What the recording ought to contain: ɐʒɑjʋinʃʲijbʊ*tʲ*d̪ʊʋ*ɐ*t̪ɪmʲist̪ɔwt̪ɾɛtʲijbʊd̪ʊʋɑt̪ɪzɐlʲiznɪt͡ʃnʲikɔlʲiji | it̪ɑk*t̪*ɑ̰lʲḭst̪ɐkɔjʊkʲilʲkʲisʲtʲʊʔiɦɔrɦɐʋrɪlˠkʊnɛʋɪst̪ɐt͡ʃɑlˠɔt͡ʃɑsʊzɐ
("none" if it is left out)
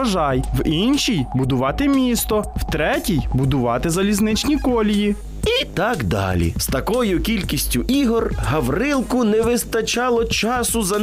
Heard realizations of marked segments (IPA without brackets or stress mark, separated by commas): none, ɑ, d̪